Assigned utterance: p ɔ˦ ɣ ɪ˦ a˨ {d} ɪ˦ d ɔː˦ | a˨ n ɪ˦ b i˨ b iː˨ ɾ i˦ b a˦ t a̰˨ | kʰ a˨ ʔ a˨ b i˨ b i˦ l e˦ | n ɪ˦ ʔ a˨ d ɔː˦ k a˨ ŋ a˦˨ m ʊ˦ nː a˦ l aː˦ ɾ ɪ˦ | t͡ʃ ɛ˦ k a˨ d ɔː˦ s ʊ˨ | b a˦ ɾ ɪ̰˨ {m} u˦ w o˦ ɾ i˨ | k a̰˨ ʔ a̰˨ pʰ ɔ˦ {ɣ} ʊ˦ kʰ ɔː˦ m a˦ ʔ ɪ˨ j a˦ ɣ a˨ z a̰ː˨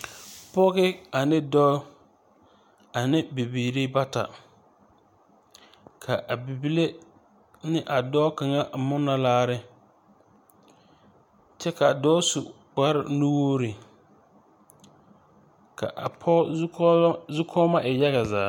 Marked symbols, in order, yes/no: no, no, no

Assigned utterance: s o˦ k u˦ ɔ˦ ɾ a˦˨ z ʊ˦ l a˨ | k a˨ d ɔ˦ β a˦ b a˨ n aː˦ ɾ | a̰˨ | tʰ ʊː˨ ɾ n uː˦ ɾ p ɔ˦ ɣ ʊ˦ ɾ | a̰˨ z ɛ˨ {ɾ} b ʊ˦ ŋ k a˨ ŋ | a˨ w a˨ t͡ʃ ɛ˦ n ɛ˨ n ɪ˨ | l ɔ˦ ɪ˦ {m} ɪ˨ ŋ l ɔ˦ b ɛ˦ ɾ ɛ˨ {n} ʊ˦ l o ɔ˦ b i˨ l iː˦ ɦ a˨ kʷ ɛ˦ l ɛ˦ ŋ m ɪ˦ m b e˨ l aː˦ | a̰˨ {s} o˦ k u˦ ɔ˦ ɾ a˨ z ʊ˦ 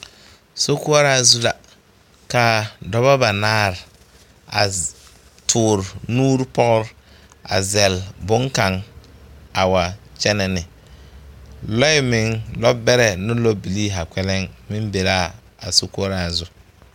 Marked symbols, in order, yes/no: no, yes, yes, yes

